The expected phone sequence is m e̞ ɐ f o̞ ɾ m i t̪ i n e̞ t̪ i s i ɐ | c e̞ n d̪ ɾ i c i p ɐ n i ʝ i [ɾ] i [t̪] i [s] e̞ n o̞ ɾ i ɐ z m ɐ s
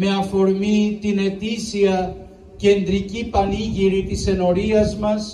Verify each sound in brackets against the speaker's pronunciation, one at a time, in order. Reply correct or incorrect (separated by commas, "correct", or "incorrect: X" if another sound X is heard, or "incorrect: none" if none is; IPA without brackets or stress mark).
correct, correct, correct